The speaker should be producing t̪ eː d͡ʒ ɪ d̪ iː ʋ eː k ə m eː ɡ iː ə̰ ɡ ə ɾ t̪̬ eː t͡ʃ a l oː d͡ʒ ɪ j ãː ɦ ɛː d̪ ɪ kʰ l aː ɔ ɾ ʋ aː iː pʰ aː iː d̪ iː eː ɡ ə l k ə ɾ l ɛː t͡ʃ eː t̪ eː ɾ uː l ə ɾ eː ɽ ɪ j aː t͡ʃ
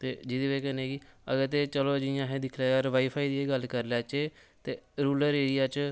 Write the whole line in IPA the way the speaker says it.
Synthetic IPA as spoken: t̪ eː d͡ʒ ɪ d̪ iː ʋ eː k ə n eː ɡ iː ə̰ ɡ ə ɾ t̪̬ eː t͡ʃ ə l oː d͡ʒ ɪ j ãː ɦ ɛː d̪ ɪ kʰ l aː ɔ ɾ ʋ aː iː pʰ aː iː d̪ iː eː ɡ ə l k ə ɾ l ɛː t͡ʃ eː t̪ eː ɾ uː l ə ɾ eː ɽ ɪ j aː t͡ʃ

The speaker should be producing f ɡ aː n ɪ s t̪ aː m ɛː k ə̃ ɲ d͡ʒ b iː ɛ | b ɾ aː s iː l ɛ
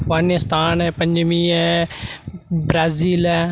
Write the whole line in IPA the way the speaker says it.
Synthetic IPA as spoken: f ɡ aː n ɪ s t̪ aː n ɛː p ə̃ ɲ d͡ʒ m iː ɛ | b ɾ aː z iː l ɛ

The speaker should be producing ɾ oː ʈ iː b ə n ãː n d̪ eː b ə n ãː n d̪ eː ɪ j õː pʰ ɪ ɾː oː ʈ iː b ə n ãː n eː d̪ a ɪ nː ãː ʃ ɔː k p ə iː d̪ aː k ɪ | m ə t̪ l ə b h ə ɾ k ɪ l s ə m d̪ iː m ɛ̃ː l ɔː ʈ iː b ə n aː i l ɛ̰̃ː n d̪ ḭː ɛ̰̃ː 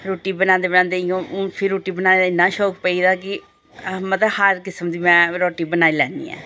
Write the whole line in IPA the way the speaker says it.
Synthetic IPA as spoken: ɾ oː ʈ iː b ə n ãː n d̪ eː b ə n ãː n d̪ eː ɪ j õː pʰ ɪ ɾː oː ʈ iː b ə n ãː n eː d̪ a ɪ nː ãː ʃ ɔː k p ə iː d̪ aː k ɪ | m ə t̪ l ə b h ə ɾ k ɪ s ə m d̪ iː m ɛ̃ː ɾ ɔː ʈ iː b ə n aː i l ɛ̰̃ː n d̪ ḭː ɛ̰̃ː

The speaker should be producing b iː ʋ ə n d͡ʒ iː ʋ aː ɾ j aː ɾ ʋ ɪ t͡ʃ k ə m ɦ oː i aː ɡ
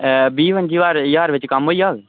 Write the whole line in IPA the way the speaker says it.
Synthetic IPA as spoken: b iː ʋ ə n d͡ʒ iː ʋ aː ɾ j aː ɾ ʋ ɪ t͡ʃ k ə m ɦ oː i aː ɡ

